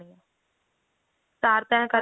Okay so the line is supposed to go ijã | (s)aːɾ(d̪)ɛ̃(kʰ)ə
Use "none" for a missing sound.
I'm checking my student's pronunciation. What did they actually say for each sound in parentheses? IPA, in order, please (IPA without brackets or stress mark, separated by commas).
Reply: s, t̪, k